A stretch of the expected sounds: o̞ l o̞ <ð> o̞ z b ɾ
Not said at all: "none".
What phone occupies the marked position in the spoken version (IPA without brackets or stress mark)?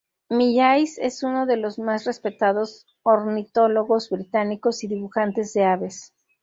ɣ